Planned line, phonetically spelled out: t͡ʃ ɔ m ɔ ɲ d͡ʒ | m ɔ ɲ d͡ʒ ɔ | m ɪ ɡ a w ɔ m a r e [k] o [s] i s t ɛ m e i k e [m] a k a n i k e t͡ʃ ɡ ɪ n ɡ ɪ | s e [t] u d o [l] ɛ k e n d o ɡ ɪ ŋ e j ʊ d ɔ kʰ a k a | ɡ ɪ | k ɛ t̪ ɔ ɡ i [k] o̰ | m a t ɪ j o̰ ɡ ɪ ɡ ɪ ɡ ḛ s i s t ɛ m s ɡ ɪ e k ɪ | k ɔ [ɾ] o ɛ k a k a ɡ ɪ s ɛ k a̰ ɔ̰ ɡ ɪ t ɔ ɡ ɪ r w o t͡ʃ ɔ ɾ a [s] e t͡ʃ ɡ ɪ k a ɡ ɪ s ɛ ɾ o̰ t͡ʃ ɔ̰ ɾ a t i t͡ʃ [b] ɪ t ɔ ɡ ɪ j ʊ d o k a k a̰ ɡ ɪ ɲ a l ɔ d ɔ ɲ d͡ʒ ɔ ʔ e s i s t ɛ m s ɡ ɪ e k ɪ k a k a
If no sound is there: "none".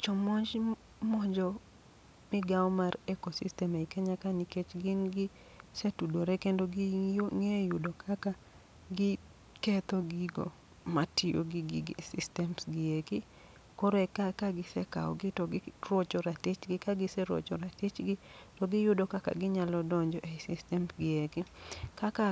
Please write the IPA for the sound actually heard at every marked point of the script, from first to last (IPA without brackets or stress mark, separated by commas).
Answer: k, s, ɲ, t, ɾ, ɡ, ɾ, t, ɡ